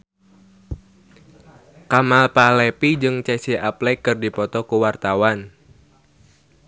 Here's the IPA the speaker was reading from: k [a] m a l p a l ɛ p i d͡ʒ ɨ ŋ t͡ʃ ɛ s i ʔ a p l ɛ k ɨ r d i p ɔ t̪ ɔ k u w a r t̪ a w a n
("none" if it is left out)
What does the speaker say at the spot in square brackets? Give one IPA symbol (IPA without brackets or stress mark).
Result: a